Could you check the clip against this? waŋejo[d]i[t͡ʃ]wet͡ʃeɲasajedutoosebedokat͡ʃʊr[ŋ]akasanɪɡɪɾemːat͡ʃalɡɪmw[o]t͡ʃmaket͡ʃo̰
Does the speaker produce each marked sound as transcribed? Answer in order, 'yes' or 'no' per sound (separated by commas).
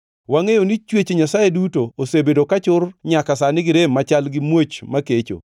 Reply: no, yes, no, yes